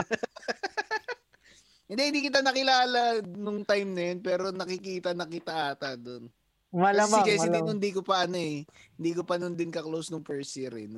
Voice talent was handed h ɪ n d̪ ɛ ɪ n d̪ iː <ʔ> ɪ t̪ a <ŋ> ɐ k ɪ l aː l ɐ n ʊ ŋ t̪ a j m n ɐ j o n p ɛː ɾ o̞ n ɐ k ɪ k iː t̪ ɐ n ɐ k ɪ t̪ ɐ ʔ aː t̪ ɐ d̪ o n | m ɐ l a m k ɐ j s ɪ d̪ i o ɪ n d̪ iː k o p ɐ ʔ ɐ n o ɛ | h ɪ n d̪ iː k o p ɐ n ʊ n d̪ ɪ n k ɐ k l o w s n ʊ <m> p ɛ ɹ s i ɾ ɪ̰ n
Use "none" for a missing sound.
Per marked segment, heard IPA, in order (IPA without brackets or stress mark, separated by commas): k, n, ŋ